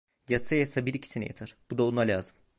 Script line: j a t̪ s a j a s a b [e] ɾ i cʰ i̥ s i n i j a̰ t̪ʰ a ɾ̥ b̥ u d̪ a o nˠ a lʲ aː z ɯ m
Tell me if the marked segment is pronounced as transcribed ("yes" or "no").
no